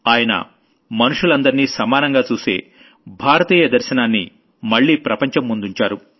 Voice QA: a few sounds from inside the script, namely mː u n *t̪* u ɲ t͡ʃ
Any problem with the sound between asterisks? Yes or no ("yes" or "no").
yes